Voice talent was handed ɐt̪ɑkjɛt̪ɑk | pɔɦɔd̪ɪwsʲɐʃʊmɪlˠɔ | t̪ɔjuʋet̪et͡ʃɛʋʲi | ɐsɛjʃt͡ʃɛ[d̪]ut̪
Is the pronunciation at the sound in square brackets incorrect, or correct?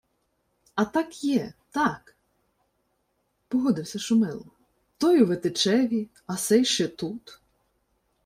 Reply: incorrect